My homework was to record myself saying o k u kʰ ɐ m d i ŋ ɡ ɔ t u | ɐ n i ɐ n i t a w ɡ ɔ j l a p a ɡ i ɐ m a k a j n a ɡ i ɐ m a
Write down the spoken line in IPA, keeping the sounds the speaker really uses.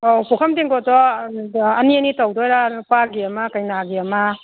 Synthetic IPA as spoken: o p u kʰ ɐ m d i ŋ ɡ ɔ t ɔ | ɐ n i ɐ n i t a w d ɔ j ɾ a p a ɡ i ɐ m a k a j n a ɡ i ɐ m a